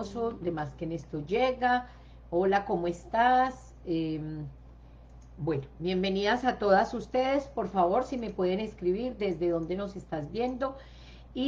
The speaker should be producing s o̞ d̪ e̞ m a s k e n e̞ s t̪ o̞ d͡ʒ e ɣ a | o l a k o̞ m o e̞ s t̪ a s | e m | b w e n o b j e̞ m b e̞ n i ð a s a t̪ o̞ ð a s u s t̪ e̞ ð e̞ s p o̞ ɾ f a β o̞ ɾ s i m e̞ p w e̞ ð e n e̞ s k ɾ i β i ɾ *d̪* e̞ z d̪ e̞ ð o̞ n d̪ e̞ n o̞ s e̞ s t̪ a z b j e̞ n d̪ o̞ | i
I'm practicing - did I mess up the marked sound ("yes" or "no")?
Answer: no